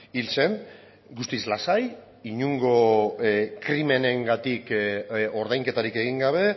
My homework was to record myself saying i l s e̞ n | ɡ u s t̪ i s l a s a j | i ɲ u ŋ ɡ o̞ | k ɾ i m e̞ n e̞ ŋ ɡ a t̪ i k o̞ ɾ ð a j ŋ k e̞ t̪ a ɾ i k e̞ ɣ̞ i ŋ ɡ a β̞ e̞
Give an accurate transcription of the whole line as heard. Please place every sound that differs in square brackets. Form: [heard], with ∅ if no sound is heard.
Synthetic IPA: i l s e̞ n | ɡ u s t̪ i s l a s a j | i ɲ u ŋ ɡ o̞ | k ɾ i m e̞ n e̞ ŋ ɡ a t̪ i k o̞ ɾ ð a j ŋ k e̞ t̪ a ɾ i k e̞ ɣ̞ i ŋ ɡ a β̞ e̞